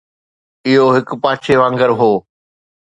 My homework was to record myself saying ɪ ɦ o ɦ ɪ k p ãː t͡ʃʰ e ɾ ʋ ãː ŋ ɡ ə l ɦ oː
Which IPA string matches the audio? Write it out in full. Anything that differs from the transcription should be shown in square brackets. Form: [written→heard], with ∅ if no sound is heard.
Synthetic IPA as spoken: ɪ ɦ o ɦ ɪ k p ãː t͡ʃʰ e [ɾ→∅] ʋ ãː ŋ ɡ ə [l→ɾ] ɦ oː